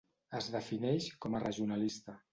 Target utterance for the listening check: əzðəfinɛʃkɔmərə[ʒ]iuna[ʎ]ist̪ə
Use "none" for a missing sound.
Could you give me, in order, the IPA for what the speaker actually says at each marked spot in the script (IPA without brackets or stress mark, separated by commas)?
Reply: ʒ, l